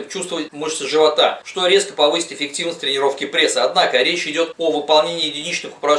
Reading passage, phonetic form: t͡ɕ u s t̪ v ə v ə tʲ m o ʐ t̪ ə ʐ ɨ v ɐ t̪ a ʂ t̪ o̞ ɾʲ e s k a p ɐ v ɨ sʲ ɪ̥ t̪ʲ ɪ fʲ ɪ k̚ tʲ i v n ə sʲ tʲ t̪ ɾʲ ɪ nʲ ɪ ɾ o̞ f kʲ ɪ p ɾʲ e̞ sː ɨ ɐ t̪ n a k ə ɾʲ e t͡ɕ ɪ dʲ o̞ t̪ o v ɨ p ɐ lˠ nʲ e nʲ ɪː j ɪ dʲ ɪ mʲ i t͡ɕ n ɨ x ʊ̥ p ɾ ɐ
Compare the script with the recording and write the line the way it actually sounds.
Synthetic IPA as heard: t͡ɕ u s t̪ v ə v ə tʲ m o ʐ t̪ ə ʐ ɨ v ɐ t̪ a ʂ t̪ o̞ ɾʲ e s k ə p ɐ v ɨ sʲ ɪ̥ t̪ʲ ɪ fʲ ɪ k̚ tʲ i v n ə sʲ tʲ t̪ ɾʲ ɪ nʲ ɪ ɾ o̞ f kʲ ɪ p ɾʲ e̞ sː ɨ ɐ d̪ n a k ə ɾʲ e t͡ɕ ɪ dʲ o̞ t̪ o v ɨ p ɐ lˠ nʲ e nʲ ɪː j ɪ dʲ ɪ nʲ i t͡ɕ n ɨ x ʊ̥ p ɾ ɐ